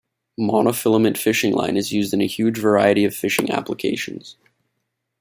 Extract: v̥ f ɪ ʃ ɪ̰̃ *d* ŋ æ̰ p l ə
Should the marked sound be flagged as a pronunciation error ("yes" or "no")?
yes